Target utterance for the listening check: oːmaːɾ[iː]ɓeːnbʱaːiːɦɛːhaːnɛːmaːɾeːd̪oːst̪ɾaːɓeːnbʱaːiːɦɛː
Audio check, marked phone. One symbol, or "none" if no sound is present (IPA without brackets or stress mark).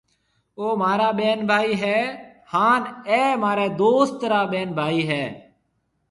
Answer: aː